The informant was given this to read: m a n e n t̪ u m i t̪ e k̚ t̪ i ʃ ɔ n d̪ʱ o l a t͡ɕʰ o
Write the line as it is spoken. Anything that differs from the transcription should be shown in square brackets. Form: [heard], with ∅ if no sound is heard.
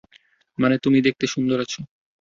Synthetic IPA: m a n e [∅] t̪ u m i [d̪] e k̚ t̪ [e] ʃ [u] n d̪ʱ o [ɾ] a t͡ɕʰ o